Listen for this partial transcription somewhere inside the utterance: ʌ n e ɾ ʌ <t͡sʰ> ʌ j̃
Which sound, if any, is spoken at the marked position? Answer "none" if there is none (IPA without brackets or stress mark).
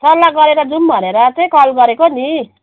t͡s